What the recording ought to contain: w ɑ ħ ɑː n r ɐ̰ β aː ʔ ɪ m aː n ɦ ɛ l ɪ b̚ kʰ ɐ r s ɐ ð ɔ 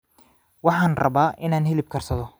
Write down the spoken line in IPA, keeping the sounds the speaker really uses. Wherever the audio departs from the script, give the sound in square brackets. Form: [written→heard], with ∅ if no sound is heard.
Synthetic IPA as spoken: w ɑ ħ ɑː n r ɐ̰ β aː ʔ ɪ [m→n] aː n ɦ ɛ l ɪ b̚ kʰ ɐ r s ɐ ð ɔ

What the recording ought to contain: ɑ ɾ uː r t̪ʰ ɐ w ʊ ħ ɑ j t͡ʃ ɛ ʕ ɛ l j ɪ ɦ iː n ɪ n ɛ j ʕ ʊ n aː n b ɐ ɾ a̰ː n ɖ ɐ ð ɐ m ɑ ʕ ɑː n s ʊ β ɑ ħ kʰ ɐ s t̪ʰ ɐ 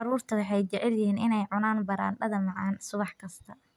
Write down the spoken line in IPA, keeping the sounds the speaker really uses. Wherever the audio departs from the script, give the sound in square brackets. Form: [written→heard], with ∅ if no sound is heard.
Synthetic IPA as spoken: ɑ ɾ uː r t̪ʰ ɐ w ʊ ħ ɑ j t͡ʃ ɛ ʕ ɛ l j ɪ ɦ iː n ɪ n ɛ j ʕ ʊ n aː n b ɐ ɾ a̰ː n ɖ ɐ ð ɐ m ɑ ʕ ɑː n s ʊ β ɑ ħ kʰ ɐ s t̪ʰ ɐ

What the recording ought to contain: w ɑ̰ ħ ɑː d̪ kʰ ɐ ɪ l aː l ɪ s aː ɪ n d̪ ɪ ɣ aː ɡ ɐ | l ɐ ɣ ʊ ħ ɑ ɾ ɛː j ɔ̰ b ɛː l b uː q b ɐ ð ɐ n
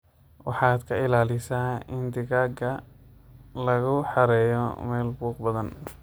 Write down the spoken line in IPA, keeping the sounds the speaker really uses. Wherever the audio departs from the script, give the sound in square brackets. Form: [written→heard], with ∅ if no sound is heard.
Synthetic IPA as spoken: w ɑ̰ ħ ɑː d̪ kʰ ɐ ɪ l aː l ɪ s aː ɪ n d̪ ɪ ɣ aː ɡ ɐ | l ɐ ɣ ʊ ħ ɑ ɾ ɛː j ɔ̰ [b→m] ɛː l b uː q b ɐ ð ɐ n

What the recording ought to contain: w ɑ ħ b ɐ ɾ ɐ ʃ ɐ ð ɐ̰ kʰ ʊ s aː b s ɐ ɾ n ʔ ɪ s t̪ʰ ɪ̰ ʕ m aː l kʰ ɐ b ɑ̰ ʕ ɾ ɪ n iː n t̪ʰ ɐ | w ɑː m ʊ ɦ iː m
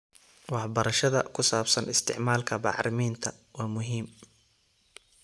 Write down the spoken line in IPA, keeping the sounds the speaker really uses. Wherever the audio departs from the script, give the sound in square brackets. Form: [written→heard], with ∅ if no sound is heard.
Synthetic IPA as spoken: w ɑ ħ b ɐ ɾ ɐ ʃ ɐ ð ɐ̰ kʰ ʊ s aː b s ɐ [ɾ→∅] n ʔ ɪ s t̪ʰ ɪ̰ ʕ m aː l kʰ ɐ b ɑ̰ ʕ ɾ ɪ [n→m] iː n t̪ʰ ɐ | w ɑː m ʊ ɦ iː m

